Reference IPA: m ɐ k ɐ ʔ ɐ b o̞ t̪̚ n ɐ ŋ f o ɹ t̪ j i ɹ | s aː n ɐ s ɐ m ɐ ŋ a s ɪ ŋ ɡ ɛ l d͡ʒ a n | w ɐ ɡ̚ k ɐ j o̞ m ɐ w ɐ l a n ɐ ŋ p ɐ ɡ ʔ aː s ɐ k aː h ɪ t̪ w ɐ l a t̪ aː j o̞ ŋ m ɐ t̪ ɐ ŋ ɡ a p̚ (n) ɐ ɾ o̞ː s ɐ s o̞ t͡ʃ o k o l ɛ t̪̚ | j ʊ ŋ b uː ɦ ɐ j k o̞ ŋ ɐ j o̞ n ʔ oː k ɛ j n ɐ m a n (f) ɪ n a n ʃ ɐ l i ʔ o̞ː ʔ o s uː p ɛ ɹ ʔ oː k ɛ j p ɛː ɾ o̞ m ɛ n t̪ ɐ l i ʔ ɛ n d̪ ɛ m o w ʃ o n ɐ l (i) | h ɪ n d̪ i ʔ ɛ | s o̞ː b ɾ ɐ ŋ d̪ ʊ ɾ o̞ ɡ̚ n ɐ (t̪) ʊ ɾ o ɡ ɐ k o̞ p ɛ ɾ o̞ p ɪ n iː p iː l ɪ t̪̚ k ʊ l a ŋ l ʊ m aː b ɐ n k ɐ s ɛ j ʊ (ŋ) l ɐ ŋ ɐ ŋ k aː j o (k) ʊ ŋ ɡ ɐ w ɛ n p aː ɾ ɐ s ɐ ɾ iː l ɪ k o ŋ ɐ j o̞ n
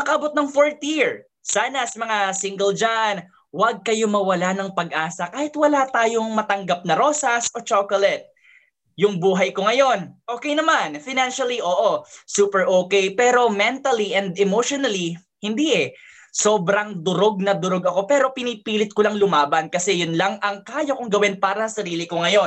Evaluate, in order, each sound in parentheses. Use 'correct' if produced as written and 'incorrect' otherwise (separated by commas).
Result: correct, correct, correct, incorrect, incorrect, correct